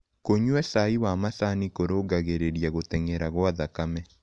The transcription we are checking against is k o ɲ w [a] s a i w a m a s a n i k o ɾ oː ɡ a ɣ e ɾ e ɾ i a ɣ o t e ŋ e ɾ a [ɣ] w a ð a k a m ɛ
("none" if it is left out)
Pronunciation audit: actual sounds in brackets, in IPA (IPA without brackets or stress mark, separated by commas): ɛ, ɣ